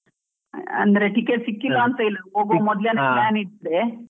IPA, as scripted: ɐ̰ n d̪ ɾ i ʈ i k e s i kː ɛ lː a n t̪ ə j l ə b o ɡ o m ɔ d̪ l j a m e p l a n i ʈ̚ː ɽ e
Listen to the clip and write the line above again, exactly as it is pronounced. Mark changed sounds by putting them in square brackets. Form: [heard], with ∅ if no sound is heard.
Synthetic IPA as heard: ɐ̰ n d̪ ɾ [e] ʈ i k e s i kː [i] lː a n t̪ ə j l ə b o ɡ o m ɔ d̪ l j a [n] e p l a n i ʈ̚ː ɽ e